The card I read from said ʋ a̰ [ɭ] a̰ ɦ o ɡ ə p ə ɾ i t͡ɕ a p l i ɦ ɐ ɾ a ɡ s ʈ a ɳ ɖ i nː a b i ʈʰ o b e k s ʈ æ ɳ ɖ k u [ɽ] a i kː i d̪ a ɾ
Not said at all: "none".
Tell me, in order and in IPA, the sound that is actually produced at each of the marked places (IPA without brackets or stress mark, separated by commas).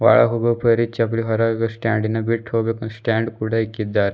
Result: ɭ, ɽ